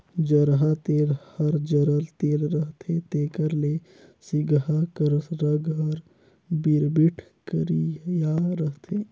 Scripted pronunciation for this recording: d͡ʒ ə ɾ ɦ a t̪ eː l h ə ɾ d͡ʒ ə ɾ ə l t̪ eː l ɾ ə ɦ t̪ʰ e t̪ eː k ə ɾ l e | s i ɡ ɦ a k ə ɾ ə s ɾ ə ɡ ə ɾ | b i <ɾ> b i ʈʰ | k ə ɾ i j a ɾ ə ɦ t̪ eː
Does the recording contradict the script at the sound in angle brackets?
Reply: no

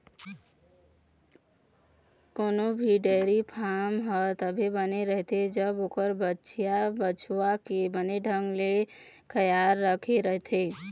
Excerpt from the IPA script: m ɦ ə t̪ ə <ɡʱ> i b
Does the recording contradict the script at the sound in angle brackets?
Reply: yes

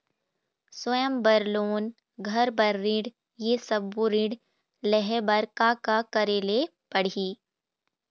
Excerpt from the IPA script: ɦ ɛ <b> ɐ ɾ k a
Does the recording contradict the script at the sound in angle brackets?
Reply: no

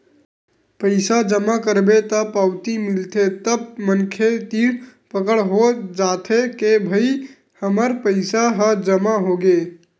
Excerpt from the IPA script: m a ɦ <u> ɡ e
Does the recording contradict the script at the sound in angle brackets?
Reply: yes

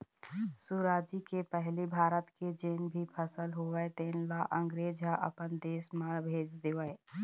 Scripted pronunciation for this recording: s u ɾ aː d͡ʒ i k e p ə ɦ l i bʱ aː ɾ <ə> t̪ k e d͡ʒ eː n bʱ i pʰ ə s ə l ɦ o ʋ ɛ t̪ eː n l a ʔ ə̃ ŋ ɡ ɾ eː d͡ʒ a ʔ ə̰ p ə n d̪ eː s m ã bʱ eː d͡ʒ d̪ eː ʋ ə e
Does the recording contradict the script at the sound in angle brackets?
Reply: no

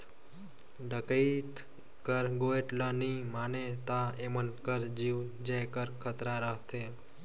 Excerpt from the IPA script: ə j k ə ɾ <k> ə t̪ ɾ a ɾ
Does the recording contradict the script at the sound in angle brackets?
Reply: yes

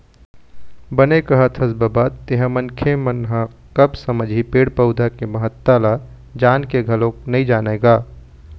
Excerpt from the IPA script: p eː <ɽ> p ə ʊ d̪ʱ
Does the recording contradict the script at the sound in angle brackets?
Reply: no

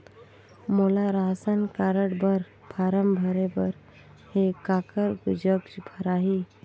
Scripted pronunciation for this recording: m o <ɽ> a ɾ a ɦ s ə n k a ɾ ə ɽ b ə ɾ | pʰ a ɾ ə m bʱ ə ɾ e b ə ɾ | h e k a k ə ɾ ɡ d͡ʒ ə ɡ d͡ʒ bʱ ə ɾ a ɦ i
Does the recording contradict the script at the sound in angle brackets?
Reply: yes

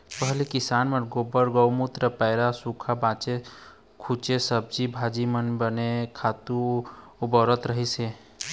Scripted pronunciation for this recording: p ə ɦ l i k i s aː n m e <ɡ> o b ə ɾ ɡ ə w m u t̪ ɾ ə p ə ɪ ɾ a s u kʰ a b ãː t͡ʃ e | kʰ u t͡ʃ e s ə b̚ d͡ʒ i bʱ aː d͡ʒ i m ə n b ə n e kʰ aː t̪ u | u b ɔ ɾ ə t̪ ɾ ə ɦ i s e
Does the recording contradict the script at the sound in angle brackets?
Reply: no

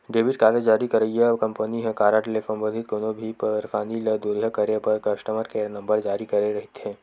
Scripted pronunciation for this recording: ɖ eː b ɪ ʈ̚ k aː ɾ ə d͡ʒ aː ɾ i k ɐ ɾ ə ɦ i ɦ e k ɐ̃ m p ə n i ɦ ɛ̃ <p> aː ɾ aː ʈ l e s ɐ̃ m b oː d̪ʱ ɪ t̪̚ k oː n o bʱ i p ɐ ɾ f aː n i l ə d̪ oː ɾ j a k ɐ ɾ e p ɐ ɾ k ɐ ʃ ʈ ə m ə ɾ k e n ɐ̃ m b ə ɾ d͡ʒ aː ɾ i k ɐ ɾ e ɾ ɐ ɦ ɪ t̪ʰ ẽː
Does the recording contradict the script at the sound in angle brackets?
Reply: yes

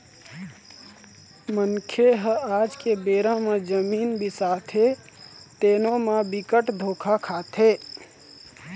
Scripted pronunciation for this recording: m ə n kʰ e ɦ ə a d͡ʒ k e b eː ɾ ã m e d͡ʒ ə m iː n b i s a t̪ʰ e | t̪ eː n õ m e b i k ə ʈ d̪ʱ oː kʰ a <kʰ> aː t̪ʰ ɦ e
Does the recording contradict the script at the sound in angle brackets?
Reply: no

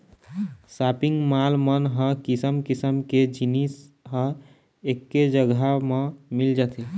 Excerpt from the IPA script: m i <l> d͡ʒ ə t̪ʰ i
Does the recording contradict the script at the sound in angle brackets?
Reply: no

